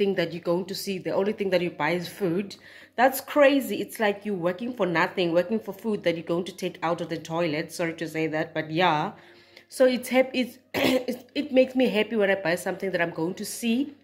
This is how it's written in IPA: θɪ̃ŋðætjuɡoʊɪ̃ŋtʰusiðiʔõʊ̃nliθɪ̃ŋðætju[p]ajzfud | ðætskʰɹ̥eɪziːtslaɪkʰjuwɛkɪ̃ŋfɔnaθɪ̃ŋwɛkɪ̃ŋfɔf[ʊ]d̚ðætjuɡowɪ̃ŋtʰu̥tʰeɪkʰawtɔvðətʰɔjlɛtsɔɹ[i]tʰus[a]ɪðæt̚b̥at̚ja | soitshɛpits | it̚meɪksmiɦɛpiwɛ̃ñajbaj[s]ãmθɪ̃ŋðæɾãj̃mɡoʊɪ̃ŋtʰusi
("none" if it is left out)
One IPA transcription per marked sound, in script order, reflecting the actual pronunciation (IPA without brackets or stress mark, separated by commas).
b, u, i, e, s